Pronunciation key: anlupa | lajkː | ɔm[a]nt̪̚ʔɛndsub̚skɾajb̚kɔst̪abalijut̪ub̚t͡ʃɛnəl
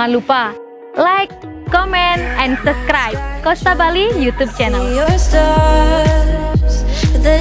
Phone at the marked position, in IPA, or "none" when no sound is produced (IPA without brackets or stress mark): ɛ